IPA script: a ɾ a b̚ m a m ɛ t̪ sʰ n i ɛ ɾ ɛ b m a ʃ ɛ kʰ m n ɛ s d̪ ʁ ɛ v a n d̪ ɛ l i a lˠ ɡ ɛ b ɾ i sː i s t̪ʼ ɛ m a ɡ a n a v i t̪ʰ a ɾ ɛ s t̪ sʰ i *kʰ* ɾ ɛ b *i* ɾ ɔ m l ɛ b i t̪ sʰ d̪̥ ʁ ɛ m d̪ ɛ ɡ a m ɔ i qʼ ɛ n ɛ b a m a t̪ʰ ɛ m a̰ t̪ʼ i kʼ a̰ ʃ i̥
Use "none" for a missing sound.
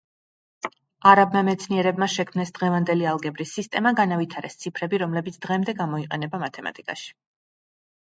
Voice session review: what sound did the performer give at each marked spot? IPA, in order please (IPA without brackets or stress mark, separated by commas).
pʰ, i